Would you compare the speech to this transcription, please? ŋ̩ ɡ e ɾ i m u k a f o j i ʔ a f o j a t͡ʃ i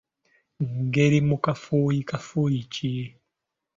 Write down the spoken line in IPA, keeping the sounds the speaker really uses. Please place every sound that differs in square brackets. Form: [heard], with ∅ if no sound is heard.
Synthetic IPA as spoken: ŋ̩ ɡ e ɾ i m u k a f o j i [k] a f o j [i] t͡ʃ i

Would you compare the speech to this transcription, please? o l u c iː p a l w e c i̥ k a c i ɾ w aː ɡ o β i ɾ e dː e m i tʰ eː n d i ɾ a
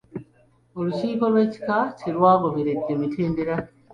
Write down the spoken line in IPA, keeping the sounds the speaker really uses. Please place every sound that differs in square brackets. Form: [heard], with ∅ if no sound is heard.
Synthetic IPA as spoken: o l u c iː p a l w e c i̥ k a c i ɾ w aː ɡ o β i ɾ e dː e m i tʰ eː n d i ɾ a

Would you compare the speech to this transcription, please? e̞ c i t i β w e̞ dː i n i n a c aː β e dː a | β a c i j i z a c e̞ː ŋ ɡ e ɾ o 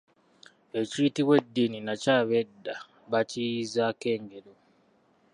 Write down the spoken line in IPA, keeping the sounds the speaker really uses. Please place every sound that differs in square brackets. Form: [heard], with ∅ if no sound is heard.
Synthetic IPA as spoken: e̞ c i t i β w e̞ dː i n i n a c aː β e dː a | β a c i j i z a [k] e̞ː ŋ ɡ e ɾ o

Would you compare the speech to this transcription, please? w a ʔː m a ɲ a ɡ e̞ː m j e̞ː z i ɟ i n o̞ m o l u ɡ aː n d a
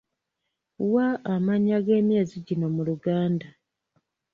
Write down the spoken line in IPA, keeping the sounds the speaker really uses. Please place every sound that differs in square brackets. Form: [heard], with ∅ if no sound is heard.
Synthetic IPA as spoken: w a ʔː m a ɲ a ɡ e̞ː m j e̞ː z i ɟ i n o̞ m [u] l u ɡ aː n d a

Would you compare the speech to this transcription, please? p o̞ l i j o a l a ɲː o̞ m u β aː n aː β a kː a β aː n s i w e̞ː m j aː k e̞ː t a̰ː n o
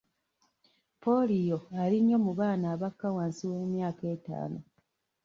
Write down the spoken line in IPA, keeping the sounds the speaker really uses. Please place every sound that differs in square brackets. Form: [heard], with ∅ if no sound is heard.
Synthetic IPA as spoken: p o̞ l i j o a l [i] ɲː o̞ m u β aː n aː β a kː a [w] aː n s i w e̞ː m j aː k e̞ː t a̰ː n o

